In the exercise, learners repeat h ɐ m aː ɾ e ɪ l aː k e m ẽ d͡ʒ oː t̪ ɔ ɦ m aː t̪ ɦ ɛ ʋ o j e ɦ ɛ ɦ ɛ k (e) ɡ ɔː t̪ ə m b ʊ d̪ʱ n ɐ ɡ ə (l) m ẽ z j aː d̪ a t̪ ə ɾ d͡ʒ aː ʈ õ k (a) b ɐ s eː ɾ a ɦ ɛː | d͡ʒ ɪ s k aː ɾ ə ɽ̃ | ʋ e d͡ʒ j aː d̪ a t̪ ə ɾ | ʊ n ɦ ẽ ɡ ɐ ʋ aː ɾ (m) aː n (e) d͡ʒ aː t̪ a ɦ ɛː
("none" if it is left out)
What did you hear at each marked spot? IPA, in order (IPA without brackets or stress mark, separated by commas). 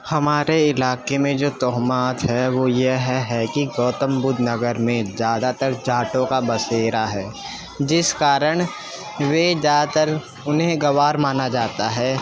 i, ɾ, a, m, a